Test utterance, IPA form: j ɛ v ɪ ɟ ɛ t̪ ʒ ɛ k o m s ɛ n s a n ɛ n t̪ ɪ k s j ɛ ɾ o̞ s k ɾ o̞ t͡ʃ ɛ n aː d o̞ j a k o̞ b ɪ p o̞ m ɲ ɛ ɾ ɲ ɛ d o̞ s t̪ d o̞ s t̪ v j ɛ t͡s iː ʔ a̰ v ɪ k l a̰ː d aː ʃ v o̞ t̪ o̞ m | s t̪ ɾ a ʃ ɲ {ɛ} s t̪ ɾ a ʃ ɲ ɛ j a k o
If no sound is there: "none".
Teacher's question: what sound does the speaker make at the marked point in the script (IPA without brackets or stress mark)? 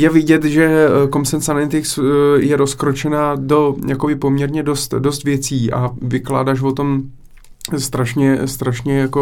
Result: ɛ